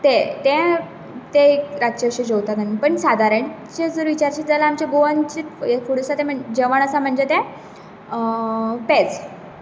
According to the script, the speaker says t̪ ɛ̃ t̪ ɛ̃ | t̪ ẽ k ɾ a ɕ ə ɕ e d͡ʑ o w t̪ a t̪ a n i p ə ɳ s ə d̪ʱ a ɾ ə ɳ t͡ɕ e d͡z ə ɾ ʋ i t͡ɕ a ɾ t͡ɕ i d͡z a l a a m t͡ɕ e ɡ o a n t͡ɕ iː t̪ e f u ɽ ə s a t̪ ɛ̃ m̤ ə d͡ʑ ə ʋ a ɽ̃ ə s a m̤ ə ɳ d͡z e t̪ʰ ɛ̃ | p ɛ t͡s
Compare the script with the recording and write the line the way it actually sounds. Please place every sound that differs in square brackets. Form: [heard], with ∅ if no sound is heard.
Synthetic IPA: t̪ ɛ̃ t̪ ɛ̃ | t̪ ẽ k ɾ a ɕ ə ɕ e d͡ʑ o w t̪ a t̪ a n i p ə ɳ s [a] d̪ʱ a ɾ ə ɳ t͡ɕ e d͡z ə ɾ ʋ i t͡ɕ a ɾ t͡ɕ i d͡z a l a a m t͡ɕ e ɡ o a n t͡ɕ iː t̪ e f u ɽ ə s a t̪ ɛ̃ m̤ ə d͡ʑ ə ʋ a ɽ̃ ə s a m̤ ə ɳ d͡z e [t̪] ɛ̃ | p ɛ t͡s